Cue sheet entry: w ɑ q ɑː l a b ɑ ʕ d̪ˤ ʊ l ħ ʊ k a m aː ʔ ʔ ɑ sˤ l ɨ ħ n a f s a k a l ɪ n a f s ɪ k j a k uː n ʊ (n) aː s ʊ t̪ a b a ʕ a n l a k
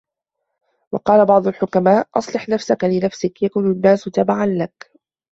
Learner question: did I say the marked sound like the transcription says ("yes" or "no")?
no